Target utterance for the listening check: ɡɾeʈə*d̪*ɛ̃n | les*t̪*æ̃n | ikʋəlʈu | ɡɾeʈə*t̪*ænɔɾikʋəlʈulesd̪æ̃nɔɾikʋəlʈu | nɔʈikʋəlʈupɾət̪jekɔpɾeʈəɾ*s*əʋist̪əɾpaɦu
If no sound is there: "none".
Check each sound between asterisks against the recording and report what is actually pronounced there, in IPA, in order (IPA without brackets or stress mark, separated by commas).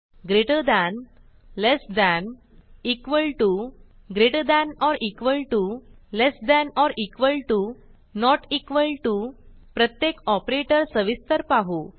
d̪, d̪, d̪, s